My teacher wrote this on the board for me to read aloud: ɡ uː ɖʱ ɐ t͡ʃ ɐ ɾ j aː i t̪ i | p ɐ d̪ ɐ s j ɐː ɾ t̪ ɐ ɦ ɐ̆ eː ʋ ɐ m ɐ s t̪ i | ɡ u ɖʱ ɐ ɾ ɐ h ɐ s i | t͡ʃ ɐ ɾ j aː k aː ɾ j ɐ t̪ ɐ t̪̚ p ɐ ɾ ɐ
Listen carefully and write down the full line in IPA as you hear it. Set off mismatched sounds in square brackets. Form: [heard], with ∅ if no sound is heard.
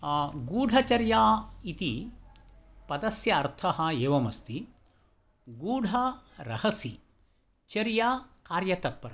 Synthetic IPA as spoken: ɡ uː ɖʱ ɐ t͡ʃ ɐ ɾ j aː i t̪ i | p ɐ d̪ ɐ s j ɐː ɾ [t̪ʰ] ɐ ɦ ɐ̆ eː ʋ ɐ m ɐ s t̪ i | ɡ [uː] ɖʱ ɐ ɾ ɐ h ɐ s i | t͡ʃ ɐ ɾ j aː k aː ɾ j ɐ t̪ ɐ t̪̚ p ɐ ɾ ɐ